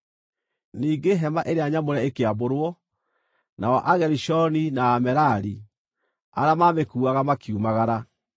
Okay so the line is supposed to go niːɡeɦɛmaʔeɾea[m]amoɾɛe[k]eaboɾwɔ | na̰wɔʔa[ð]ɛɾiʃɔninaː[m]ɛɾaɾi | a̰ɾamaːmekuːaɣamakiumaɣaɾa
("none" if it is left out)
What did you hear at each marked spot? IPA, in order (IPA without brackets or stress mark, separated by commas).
ɲ, k, ɣ, m